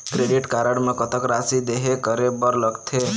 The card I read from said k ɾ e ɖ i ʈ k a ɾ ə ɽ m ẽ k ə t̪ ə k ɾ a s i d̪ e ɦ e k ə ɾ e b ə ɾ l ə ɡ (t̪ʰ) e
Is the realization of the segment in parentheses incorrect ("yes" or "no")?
no